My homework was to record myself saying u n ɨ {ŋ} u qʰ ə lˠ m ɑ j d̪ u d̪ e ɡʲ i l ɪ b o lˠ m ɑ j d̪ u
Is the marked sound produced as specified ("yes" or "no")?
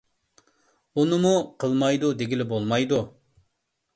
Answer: no